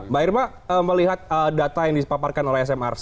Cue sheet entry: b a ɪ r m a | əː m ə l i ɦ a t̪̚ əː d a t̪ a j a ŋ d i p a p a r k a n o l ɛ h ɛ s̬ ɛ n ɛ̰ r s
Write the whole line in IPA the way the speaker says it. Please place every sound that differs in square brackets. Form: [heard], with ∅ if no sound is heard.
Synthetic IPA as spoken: b a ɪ r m a | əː m ə l i ɦ a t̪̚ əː d a t̪ a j a ŋ d i p a p a r k a n o l ɛ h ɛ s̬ ɛ [m] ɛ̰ r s